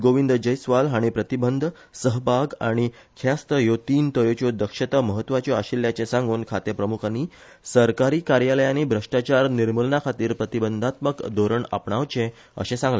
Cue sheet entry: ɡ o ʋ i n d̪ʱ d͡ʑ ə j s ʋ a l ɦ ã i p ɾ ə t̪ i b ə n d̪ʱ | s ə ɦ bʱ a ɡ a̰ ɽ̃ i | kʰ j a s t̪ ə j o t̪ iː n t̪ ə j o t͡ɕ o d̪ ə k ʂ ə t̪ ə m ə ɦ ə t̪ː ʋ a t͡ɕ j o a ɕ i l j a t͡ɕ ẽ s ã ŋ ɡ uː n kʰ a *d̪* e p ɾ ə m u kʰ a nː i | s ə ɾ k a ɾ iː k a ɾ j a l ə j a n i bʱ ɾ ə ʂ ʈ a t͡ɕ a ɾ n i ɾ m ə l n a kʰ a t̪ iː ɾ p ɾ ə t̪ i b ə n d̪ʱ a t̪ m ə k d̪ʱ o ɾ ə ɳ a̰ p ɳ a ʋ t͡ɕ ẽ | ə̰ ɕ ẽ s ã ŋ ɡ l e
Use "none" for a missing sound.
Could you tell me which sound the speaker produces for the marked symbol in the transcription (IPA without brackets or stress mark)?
t̪